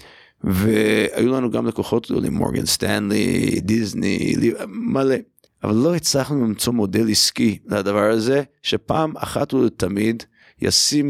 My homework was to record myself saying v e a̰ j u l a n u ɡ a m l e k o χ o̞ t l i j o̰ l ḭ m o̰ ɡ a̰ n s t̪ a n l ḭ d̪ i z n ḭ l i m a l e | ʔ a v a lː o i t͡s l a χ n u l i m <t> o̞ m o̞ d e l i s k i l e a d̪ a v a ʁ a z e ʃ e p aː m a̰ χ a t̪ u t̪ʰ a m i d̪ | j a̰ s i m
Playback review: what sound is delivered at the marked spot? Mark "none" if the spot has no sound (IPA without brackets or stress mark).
t͡s